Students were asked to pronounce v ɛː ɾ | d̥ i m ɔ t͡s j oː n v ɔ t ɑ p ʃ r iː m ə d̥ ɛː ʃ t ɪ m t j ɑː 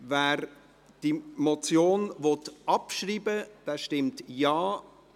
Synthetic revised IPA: v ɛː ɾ | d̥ i m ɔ t͡s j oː n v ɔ t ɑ p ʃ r iː b ə d̥ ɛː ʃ t ɪ m t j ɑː